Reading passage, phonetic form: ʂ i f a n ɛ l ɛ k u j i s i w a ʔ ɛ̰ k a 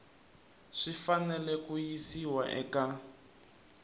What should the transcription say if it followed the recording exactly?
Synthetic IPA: ʂ i f a n ɛ l ɛ k u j i s i w a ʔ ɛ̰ k a